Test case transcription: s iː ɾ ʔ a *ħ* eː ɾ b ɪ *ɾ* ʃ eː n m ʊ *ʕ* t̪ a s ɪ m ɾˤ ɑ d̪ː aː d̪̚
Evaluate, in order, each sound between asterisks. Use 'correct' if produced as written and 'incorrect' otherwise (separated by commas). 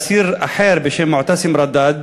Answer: correct, incorrect, correct